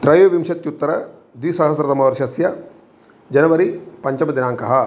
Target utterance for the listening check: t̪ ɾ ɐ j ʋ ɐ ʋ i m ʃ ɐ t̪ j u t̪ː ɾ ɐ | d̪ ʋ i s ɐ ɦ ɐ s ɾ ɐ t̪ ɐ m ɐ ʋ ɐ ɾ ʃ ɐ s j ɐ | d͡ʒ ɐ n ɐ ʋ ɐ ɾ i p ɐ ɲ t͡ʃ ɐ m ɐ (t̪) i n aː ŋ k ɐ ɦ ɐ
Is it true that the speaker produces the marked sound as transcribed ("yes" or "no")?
no